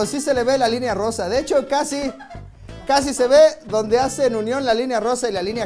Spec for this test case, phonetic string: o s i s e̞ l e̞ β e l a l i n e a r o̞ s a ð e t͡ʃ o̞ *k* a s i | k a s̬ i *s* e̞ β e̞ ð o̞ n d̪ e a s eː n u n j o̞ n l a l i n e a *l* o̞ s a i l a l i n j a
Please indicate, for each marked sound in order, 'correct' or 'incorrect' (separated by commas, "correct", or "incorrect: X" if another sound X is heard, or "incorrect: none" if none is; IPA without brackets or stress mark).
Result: correct, correct, incorrect: r